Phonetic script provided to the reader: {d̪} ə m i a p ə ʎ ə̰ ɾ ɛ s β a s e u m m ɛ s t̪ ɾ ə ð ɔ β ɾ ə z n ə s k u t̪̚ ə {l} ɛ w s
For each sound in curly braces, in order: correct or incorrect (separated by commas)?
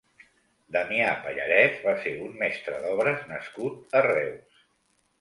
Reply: correct, incorrect